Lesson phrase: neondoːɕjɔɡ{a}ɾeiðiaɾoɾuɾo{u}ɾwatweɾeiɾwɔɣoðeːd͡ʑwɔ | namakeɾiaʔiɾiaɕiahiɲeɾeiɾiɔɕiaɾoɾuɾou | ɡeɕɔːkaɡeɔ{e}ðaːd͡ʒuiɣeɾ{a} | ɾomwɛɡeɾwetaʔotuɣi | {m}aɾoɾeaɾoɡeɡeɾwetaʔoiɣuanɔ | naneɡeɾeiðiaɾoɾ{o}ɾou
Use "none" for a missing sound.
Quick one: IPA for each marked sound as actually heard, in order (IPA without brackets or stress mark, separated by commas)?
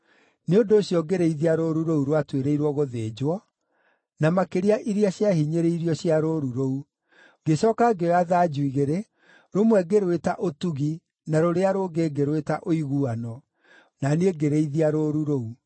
e, u, a, e, n, u